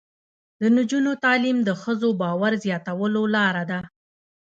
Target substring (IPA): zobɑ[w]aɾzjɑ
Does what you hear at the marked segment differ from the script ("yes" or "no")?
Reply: no